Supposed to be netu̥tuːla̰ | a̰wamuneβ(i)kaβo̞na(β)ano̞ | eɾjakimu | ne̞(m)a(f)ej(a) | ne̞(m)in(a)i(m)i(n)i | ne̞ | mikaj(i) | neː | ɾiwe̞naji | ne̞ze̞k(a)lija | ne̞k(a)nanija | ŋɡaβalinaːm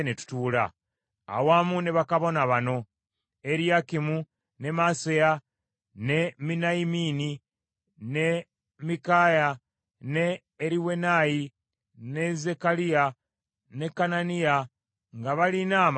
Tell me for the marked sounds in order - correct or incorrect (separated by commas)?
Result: incorrect, correct, correct, incorrect, correct, correct, correct, correct, correct, incorrect, correct, correct